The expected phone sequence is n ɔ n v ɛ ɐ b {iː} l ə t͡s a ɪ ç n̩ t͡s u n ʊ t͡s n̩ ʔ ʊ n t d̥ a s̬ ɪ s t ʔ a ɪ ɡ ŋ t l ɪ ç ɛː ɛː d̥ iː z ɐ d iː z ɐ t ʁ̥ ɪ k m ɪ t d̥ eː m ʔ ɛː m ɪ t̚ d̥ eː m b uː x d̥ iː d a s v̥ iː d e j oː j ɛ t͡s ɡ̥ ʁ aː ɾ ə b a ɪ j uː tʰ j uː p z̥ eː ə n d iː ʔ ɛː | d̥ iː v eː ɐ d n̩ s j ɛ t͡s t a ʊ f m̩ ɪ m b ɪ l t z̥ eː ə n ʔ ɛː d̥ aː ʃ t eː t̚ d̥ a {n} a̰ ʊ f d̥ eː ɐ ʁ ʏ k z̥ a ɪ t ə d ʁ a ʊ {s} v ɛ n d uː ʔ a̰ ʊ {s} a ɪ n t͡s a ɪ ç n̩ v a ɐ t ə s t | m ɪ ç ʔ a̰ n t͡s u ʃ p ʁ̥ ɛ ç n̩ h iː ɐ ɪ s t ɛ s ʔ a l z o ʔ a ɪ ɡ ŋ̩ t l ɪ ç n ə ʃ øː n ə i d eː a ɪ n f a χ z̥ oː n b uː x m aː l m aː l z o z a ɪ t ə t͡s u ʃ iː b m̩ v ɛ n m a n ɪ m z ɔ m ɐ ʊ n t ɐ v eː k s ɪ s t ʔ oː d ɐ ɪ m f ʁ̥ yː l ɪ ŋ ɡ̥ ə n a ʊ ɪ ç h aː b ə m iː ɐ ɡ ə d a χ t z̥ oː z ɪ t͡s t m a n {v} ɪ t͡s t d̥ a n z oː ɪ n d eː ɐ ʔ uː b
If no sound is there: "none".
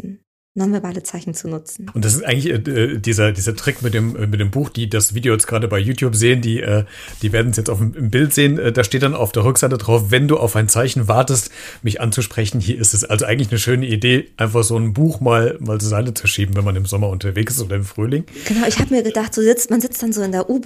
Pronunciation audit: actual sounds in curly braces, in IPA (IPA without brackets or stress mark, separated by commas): aː, n, f, f, z